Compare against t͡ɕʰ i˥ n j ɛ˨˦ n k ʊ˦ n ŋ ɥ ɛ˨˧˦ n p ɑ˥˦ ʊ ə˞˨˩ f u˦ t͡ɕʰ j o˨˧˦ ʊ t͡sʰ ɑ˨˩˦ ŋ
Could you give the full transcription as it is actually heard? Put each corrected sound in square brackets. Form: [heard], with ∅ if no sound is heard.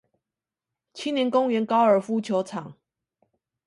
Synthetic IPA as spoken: t͡ɕʰ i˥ n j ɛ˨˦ n k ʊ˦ [∅] ŋ ɥ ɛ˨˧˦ n [k] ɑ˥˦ ʊ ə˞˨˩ f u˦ t͡ɕʰ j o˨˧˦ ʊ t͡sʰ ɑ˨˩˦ ŋ